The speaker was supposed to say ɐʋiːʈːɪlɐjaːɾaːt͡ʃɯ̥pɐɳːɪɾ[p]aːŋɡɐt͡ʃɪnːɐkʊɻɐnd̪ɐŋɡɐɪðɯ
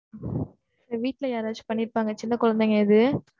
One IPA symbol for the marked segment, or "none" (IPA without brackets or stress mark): p